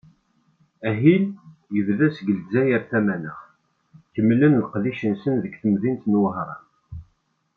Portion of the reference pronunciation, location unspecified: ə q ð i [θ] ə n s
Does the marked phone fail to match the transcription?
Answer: yes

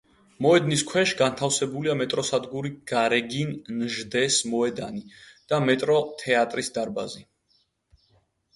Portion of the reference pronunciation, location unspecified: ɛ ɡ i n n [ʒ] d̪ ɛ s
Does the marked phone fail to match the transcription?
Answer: no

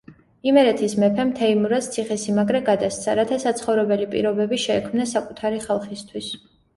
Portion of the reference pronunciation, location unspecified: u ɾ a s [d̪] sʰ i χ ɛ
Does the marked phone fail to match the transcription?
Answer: yes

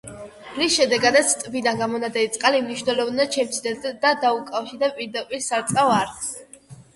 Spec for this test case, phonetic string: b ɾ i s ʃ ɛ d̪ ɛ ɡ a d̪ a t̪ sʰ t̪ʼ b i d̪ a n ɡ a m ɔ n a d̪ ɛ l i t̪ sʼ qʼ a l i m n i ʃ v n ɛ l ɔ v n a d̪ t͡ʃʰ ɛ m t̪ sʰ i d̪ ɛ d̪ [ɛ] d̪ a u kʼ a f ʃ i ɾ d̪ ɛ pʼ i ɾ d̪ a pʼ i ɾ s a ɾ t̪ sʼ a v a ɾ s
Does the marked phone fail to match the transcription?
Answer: yes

